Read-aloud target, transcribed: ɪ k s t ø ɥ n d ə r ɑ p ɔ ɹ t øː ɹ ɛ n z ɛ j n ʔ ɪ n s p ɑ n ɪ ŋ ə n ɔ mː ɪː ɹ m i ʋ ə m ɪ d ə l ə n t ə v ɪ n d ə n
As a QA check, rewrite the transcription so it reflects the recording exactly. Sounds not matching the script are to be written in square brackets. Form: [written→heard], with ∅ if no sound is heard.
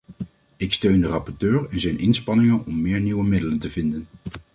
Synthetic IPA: ɪ k s t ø ɥ n d ə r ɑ p ɔ ɹ t øː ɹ ɛ n z ɛ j n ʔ ɪ n s p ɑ n ɪ ŋ ə n ɔ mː ɪː ɹ [m→n] i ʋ ə m ɪ d ə l ə n t ə v ɪ n d ə n

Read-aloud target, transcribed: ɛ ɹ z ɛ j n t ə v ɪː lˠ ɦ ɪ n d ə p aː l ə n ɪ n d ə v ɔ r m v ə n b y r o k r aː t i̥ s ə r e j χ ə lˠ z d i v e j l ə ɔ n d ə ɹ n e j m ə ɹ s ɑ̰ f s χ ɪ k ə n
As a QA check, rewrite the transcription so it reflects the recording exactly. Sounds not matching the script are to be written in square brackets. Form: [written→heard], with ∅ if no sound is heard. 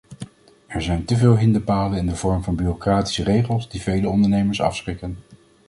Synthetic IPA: ɛ ɹ z ɛ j n t ə v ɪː lˠ ɦ ɪ n d ə p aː l ə n ɪ n d ə v ɔ [r→ɹ] m v [ə→ɑ] n b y r o k r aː t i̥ s ə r e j χ ə lˠ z d i v e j l ə ɔ n d ə ɹ n e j m ə ɹ s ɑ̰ f s χ ɪ k ə n

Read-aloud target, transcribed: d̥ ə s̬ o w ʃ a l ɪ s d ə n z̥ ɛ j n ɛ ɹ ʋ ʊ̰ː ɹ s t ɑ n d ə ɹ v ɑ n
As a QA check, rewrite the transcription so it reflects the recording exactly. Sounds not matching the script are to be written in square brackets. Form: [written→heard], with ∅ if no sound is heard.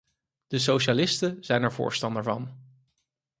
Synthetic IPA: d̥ ə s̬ o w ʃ a l ɪ s [d→t] ə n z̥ ɛ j n ɛ ɹ [ʋ→v] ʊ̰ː ɹ s t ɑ n d ə ɹ v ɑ n

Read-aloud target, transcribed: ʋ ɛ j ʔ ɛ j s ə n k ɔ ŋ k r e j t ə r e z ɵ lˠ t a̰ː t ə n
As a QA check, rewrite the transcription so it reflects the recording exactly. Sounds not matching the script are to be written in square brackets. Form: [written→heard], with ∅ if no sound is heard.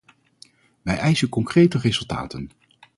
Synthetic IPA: ʋ ɛ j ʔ ɛ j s ə n k ɔ ŋ k r e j t ə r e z ɵ lˠ t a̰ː t ə n

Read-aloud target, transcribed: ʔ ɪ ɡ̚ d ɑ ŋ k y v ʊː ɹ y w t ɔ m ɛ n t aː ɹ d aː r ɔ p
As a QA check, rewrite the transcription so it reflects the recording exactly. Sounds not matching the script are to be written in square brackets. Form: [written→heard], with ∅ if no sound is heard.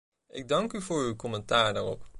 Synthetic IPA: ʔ ɪ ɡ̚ d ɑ ŋ k y v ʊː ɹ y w [t→k] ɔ m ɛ n t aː ɹ d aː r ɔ p

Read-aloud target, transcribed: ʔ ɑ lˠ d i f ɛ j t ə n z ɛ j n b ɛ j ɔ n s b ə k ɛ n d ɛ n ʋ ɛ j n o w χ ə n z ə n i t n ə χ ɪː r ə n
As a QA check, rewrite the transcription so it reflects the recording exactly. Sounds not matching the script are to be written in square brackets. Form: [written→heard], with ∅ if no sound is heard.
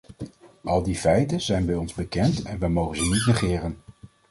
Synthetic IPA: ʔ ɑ lˠ d i f ɛ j t ə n z ɛ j n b ɛ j ɔ n [s→z] b ə k ɛ n [d→t] ɛ n ʋ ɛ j [n→m] o w χ ə n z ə n i t n ə χ ɪː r ə n

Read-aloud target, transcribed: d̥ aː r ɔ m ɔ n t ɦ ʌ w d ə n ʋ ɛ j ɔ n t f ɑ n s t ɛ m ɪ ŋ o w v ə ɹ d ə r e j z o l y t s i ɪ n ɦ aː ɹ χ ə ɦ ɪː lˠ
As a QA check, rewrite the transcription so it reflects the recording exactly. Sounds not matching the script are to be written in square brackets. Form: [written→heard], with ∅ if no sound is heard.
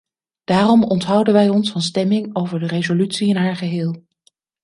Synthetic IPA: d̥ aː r ɔ m ɔ n t ɦ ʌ w d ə n ʋ ɛ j ɔ n [t→s] f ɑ n s t ɛ m ɪ ŋ o w v ə ɹ d ə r e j z o l y t s i ɪ n ɦ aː ɹ χ ə ɦ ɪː lˠ

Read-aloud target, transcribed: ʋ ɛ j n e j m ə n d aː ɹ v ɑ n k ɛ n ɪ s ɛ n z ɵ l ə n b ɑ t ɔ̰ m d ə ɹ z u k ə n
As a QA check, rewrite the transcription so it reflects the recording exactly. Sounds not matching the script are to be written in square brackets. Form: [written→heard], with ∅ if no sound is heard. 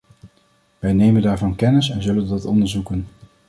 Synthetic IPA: ʋ ɛ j n e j m ə n d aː ɹ v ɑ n k ɛ n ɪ s ɛ n z ɵ l ə n [b→d] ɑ t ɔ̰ [m→n] d ə ɹ z u k ə n

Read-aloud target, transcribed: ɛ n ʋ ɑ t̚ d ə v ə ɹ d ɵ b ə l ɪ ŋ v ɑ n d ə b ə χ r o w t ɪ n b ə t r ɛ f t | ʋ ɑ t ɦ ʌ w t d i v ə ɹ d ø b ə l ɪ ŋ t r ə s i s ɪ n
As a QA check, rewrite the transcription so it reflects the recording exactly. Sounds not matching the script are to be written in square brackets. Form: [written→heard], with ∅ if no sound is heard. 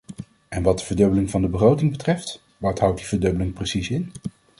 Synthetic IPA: ɛ n ʋ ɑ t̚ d ə v ə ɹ d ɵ b ə l ɪ ŋ v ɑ n d ə b ə χ r o w t ɪ [n→ŋ] b ə t r ɛ f t | ʋ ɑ t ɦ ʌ w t d i v ə ɹ d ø b ə l ɪ ŋ [t→p] r ə s i s ɪ n

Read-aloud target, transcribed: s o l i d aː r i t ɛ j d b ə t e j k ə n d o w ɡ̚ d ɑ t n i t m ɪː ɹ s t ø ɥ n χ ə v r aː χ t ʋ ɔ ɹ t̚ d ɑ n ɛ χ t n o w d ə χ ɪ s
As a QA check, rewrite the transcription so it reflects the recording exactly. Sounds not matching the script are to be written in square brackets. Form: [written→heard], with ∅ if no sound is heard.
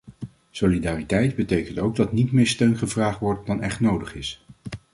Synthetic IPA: s o l i d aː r i t ɛ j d b ə t e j k ə n [d→t] o w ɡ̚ d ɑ t n i t m ɪː ɹ s t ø ɥ n χ ə v r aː χ t ʋ ɔ ɹ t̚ d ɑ n ɛ χ t n o w d ə χ ɪ s

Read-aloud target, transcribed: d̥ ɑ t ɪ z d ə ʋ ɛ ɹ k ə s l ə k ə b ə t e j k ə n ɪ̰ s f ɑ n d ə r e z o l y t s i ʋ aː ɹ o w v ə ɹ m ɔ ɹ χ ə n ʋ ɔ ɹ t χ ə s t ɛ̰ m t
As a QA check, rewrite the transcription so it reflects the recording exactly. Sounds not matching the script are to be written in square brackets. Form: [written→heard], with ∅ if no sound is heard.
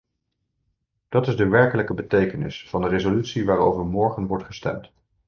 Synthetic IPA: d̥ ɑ t ɪ z d ə ʋ ɛ ɹ k ə [s→∅] l ə k ə b ə t e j k ə n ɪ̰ s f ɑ n d ə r e z o l y t s i ʋ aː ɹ o w v ə ɹ m ɔ ɹ χ ə n ʋ ɔ ɹ t χ ə s t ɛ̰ m t

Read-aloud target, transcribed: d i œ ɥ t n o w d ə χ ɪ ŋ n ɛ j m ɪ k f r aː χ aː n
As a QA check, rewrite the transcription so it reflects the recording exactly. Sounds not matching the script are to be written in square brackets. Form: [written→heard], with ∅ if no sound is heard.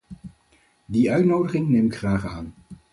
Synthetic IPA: d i œ ɥ t n o w d ə χ ɪ ŋ n [ɛ→e] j m ɪ k [f→χ] r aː χ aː n

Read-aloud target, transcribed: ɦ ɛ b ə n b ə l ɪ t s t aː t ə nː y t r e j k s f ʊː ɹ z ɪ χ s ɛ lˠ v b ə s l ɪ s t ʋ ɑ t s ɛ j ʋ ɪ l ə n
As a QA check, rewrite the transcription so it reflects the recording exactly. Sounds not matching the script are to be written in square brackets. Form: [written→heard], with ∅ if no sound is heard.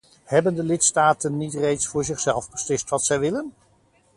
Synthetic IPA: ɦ ɛ b ə n [b→d] ə l ɪ t s t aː t ə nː [y→i] t r e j [k→t] s f ʊː ɹ z ɪ χ s ɛ lˠ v b ə s l ɪ s t ʋ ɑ t s ɛ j ʋ ɪ l ə n

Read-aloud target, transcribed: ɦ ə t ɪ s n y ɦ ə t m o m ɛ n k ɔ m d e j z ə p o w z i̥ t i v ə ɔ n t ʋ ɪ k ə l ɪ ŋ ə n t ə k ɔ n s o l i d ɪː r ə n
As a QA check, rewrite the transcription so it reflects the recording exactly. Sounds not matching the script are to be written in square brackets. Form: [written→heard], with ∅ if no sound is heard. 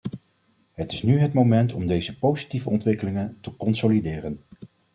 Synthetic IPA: ɦ ə t ɪ s n y ɦ ə t m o m ɛ n [k→t] ɔ m d e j z ə p o w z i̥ t i v ə ɔ n t ʋ ɪ k ə l ɪ ŋ ə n t ə k ɔ n s o l i d ɪː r ə n

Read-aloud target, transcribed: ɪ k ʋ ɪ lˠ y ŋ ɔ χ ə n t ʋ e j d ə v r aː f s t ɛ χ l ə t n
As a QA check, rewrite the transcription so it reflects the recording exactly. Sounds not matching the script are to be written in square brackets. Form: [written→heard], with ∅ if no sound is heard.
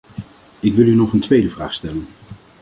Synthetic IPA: ɪ k ʋ ɪ lˠ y [ŋ→n] ɔ χ ə n t ʋ e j d ə v r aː [f→χ] s t ɛ [χ→∅] l ə [t→∅] n

